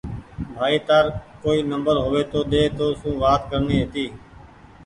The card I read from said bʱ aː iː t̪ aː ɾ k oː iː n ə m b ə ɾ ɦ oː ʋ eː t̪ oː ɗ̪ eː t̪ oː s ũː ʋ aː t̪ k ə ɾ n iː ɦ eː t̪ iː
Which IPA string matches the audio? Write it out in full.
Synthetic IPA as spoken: bʱ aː iː t̪ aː ɾ k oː iː n ə m b ə ɾ ɦ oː ʋ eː t̪ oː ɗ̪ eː t̪ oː s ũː ʋ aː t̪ k ə ɾ n iː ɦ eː t̪ iː